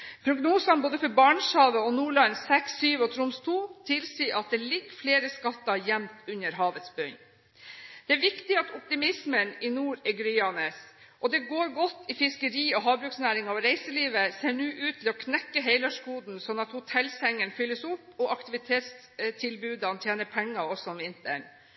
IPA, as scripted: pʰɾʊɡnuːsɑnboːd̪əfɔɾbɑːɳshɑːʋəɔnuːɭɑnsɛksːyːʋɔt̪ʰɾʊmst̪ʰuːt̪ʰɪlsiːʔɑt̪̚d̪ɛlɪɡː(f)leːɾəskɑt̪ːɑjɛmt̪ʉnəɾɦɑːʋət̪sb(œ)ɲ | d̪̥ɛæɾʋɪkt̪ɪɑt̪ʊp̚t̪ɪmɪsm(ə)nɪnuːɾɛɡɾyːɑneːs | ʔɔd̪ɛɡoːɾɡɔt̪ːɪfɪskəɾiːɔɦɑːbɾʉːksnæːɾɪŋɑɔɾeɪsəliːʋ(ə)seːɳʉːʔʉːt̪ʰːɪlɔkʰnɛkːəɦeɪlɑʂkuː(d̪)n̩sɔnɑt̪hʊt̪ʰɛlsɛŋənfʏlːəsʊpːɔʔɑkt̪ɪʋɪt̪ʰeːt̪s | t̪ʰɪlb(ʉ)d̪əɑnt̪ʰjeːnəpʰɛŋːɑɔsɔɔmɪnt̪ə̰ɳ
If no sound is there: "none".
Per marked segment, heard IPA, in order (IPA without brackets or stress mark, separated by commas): f, œ, ə, ə, d̪, ʉː